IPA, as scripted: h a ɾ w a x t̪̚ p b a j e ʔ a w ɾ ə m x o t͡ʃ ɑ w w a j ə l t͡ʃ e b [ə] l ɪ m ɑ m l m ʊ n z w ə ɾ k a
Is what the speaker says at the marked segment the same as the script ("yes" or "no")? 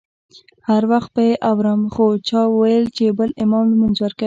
yes